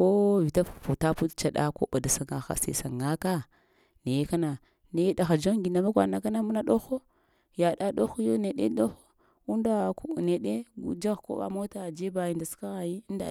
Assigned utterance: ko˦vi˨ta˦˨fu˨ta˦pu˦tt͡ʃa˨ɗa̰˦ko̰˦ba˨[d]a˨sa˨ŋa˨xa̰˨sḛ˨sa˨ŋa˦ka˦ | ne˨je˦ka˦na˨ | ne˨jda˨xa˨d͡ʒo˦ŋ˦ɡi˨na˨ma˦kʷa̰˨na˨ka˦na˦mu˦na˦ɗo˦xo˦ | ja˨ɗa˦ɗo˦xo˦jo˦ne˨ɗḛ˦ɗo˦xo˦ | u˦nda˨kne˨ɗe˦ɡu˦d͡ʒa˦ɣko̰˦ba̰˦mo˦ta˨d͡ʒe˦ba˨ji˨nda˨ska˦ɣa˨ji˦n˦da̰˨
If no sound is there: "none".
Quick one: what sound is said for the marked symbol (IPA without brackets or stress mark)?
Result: d